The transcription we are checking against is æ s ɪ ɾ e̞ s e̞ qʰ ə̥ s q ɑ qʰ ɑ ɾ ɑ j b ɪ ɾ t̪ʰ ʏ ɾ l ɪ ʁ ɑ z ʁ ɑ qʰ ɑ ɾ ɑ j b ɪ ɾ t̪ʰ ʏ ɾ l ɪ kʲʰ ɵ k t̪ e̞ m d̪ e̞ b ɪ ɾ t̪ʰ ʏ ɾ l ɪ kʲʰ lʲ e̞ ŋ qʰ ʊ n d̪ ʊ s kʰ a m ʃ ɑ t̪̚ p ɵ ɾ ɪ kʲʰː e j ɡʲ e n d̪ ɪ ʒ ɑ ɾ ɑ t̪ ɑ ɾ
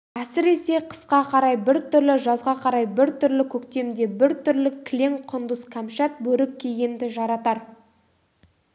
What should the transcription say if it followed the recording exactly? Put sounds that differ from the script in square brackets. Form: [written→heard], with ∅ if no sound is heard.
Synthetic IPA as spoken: æ s ɪ ɾ e̞ s e̞ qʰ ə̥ s q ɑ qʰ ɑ ɾ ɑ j b ɪ ɾ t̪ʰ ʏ ɾ l ɪ [ʁ→ʒ] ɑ z ʁ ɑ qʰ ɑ ɾ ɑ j b ɪ ɾ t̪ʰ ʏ ɾ l ɪ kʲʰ ɵ k t̪ e̞ m d̪ e̞ b ɪ ɾ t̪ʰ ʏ ɾ l ɪ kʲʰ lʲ e̞ ŋ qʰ ʊ n d̪ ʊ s kʰ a m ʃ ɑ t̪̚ [p→b] ɵ ɾ ɪ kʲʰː e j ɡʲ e n d̪ ɪ ʒ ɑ ɾ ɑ t̪ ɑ ɾ